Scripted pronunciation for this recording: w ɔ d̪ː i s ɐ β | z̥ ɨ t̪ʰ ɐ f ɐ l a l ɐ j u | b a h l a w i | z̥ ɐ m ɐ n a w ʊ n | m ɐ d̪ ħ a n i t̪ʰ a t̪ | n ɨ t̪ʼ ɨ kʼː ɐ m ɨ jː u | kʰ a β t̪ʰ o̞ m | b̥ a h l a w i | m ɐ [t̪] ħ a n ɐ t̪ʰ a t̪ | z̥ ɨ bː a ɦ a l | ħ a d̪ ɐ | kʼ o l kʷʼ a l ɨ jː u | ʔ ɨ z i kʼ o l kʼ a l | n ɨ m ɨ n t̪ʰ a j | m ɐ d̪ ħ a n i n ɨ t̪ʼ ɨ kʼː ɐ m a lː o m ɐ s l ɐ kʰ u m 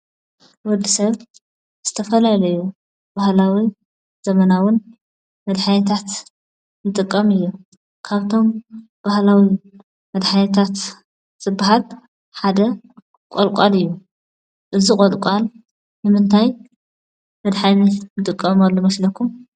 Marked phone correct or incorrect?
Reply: incorrect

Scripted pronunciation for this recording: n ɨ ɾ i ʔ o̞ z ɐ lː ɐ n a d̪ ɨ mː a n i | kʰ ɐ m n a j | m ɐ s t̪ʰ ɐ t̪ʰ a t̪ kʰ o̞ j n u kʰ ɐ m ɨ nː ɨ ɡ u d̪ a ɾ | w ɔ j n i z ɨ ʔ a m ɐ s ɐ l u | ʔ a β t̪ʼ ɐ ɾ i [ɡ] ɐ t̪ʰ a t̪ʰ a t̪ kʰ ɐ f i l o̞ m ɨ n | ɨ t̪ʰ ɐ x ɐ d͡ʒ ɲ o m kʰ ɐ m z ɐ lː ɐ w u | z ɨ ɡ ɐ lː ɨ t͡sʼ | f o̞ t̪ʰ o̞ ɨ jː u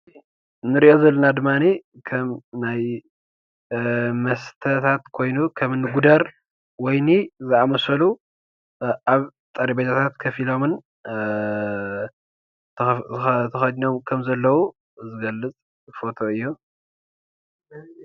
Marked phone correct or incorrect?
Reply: incorrect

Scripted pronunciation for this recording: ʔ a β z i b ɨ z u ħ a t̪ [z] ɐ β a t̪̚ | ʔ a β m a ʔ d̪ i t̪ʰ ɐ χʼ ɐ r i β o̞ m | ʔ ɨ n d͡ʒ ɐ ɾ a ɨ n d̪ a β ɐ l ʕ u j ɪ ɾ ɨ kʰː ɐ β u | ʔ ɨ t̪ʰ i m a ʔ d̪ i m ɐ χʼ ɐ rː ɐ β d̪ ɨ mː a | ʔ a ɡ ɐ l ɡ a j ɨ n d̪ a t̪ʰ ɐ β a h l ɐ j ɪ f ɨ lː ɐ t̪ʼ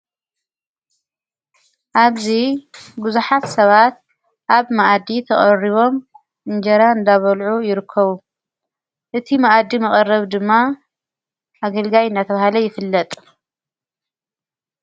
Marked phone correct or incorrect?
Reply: incorrect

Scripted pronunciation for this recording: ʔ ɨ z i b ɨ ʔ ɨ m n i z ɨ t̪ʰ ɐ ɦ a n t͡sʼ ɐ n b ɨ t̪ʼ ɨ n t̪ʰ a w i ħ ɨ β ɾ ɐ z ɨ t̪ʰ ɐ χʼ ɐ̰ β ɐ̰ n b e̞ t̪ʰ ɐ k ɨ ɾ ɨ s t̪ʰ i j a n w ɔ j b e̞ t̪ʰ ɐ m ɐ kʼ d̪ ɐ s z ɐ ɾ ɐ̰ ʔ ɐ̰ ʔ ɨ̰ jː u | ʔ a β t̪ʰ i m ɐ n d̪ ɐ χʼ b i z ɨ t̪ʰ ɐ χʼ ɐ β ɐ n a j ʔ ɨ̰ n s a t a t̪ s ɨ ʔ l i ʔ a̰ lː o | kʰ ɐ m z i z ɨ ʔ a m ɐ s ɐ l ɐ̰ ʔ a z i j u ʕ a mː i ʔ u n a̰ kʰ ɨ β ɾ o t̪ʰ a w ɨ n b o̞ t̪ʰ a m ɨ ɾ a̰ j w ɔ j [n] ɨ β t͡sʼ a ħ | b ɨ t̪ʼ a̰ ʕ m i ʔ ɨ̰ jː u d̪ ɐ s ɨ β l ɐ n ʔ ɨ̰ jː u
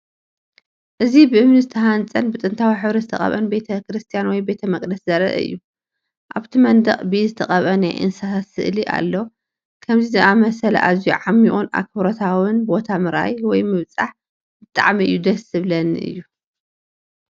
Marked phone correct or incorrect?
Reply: incorrect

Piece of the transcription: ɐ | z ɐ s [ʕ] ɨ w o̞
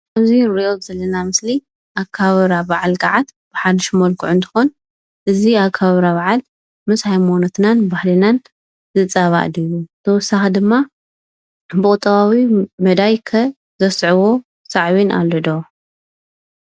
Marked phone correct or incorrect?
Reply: correct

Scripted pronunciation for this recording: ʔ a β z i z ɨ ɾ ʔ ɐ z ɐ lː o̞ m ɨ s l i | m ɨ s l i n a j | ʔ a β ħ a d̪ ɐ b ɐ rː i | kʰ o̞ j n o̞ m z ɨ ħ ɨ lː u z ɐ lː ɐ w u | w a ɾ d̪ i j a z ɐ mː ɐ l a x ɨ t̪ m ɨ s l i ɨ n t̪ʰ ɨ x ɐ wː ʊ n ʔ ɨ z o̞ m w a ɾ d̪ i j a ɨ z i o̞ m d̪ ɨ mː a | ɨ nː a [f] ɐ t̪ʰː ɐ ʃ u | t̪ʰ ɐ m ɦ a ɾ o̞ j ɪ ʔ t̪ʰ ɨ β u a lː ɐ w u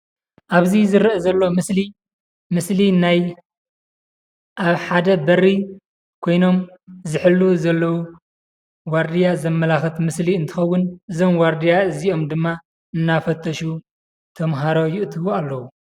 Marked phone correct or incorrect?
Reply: correct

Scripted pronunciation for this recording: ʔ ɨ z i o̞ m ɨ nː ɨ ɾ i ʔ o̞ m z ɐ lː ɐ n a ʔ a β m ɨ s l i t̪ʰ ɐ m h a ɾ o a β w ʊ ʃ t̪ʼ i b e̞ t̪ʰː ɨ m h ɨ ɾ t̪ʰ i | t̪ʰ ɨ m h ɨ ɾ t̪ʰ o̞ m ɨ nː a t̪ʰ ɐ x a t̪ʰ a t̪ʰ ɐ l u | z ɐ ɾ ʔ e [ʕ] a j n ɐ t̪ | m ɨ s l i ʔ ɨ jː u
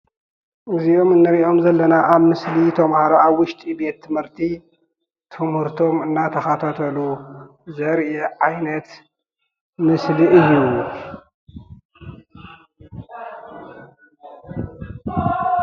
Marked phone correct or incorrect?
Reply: correct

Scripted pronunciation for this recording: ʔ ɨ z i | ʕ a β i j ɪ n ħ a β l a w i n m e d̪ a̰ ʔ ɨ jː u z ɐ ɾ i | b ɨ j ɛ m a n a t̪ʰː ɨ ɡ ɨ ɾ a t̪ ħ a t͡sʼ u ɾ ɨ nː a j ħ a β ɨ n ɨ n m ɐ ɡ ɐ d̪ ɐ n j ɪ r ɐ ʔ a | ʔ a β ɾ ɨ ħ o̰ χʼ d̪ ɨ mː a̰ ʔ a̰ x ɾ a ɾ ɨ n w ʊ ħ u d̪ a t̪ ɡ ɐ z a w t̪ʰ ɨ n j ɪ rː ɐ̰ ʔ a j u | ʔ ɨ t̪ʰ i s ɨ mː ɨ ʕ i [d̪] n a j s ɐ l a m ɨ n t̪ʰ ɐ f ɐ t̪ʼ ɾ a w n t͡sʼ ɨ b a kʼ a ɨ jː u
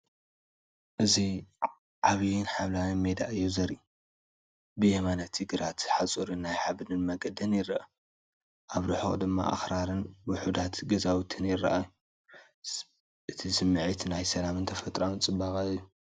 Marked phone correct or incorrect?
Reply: incorrect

